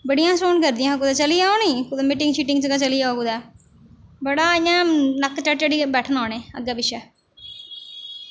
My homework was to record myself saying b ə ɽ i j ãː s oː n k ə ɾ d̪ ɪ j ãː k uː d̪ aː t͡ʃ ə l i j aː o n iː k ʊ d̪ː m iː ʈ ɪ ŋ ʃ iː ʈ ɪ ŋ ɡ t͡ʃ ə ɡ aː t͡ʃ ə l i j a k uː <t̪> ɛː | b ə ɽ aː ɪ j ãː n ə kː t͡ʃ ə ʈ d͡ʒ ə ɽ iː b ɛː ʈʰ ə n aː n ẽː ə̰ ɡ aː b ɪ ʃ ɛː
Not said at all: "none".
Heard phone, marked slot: d̪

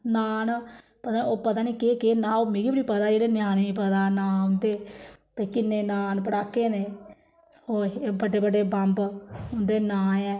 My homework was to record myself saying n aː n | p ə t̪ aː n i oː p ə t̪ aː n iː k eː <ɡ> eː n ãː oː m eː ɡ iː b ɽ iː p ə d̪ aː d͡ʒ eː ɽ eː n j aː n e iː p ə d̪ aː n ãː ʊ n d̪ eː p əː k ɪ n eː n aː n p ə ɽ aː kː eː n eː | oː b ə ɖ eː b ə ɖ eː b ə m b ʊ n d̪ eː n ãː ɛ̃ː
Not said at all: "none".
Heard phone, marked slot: k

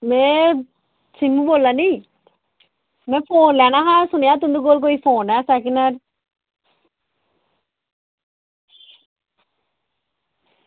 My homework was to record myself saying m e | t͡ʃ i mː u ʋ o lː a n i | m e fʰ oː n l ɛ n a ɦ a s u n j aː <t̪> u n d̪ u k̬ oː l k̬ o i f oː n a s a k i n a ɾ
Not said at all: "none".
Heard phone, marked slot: t̪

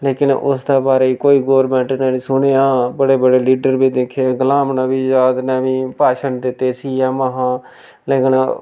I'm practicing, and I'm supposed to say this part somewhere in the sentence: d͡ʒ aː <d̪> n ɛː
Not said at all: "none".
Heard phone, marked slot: d̪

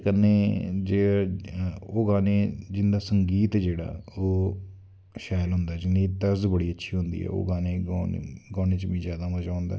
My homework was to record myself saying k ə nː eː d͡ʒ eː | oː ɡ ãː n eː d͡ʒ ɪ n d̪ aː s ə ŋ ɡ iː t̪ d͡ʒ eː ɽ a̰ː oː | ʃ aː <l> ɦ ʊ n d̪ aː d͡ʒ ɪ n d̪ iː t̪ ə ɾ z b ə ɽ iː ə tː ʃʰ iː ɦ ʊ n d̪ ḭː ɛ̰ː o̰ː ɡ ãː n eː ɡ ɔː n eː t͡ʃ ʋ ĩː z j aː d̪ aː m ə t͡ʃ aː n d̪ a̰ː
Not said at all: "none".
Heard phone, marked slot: l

